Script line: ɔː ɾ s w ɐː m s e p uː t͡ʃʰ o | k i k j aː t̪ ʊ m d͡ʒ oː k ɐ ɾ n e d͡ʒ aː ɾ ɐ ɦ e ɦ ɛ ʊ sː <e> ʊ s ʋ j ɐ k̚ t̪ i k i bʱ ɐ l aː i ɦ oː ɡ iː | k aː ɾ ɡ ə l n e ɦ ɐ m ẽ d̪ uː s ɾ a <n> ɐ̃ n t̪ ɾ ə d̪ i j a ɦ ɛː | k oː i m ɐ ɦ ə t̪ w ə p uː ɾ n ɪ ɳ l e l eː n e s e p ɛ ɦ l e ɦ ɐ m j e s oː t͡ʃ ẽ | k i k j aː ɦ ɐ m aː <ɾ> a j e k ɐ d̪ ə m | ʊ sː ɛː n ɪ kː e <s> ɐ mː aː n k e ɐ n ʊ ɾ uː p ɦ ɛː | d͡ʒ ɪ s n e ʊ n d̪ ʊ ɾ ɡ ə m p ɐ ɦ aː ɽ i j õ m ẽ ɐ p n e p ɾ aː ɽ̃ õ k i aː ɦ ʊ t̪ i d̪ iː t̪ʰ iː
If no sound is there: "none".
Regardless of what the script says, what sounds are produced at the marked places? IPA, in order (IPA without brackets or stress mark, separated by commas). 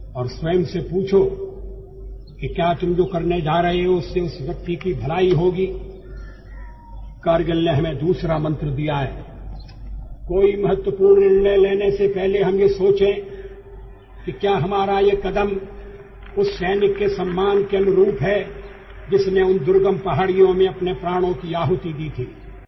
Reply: e, m, ɾ, s